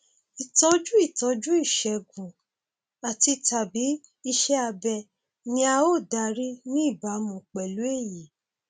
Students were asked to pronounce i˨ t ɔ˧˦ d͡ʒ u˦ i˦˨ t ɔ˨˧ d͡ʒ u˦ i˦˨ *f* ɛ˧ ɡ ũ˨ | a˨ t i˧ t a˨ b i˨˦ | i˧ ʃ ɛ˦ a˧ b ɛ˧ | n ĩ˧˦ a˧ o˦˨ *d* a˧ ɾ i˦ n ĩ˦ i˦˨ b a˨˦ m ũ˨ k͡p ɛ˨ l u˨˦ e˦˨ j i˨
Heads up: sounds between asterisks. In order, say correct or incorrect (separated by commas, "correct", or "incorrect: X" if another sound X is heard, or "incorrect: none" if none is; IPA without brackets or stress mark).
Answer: incorrect: ʃ, correct